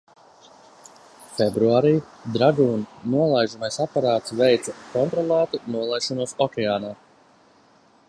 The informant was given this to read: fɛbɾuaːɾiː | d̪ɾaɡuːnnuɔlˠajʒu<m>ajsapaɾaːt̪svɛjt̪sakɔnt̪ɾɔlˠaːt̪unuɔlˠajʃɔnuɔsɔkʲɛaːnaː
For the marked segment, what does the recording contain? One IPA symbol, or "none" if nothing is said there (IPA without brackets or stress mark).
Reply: m